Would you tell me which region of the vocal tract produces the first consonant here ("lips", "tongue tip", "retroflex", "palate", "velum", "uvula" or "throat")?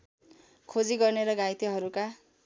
velum